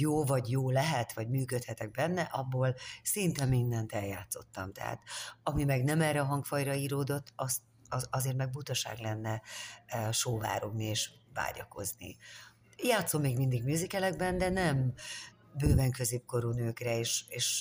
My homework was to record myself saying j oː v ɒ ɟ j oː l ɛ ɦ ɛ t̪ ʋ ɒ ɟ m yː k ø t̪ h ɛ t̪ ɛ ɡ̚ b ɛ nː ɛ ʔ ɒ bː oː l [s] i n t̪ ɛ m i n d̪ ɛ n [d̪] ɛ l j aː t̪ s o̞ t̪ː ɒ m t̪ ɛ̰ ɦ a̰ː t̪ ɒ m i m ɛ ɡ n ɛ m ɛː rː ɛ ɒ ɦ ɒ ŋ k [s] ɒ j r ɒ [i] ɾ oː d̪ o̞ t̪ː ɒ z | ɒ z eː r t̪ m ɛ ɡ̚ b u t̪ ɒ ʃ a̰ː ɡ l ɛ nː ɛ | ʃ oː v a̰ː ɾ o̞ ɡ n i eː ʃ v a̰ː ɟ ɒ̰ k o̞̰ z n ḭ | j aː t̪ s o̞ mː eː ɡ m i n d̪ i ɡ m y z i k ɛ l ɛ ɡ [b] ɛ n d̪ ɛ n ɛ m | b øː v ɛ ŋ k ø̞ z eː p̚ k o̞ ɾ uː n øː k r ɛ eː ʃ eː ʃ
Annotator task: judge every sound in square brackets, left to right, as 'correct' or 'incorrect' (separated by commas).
correct, incorrect, incorrect, incorrect, correct